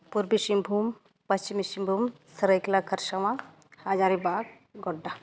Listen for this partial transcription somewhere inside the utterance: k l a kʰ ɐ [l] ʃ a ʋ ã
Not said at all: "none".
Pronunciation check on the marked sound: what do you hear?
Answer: ɾ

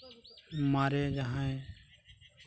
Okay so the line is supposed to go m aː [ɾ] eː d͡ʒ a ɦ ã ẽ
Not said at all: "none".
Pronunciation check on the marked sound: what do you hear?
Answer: ɾ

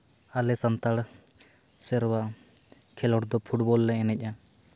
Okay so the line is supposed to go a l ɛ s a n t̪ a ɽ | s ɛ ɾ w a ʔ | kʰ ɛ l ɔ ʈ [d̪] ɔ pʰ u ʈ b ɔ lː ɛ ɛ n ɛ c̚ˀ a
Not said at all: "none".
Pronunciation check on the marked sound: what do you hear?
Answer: d̪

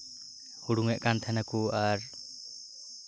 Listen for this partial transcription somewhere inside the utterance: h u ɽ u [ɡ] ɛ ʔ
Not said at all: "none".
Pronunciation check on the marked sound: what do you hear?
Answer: ŋ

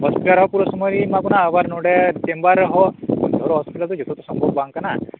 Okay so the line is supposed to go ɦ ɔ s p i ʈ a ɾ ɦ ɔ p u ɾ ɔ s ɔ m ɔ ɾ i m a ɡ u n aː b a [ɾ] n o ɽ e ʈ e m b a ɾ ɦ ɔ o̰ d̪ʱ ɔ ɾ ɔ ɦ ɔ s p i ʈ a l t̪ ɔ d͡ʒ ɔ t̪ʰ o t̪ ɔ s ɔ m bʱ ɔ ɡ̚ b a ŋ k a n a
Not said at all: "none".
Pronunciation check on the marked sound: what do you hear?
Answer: ɾ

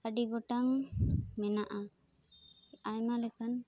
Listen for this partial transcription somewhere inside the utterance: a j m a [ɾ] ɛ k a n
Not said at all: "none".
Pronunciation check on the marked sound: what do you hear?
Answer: l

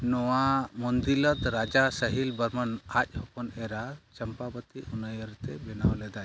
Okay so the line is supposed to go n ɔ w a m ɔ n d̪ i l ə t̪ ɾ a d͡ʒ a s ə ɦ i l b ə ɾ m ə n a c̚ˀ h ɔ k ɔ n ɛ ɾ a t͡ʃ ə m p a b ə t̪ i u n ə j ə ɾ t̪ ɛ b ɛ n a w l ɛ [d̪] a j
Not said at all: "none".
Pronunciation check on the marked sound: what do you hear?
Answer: d̪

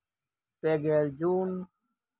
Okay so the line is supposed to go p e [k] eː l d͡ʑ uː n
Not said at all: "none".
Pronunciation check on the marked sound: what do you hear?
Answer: ɡ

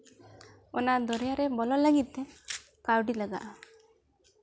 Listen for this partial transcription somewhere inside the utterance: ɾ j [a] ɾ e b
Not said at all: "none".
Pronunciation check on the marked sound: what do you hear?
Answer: a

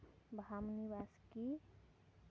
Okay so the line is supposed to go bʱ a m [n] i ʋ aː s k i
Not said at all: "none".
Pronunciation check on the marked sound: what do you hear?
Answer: n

